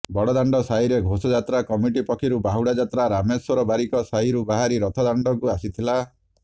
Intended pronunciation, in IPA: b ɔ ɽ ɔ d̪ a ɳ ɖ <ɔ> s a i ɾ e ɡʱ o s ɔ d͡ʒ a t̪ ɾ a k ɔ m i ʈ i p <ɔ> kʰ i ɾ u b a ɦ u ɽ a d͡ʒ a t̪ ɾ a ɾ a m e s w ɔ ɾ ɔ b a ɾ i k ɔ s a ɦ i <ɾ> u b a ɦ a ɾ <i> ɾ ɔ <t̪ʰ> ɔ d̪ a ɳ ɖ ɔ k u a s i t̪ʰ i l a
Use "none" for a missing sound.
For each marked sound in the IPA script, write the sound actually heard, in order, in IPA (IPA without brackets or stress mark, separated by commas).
ɔ, ɔ, ɾ, i, t̪ʰ